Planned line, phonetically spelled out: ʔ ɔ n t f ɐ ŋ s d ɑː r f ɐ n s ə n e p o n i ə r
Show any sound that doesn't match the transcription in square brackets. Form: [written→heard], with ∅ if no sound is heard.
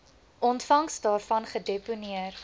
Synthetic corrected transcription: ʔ ɔ n t f ɐ ŋ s d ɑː r f ɐ n [s→χ] ə [n→d] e p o n i ə r